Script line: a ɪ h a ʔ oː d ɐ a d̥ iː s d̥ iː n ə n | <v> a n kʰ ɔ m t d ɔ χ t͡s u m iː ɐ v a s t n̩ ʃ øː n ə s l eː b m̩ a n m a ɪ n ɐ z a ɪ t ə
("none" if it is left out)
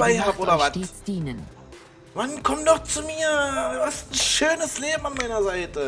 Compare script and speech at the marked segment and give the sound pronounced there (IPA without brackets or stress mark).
v